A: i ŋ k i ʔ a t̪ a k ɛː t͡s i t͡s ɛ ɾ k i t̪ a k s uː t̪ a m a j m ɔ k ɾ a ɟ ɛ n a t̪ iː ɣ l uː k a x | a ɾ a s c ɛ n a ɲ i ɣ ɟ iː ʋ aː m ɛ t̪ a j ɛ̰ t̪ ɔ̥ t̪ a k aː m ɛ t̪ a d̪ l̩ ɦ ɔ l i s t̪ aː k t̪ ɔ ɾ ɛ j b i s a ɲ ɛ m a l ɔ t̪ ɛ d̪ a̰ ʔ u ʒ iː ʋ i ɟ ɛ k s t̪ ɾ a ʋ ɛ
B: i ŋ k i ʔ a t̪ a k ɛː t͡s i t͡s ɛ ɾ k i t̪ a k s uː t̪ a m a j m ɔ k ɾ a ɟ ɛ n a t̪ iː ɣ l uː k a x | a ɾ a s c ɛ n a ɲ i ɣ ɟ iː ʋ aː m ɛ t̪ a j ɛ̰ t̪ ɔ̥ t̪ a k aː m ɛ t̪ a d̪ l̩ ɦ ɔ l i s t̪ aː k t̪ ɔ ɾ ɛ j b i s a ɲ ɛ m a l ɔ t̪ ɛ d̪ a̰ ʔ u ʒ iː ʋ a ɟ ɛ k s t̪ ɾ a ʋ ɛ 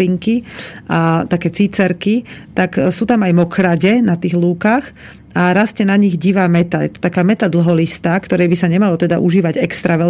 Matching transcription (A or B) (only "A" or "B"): B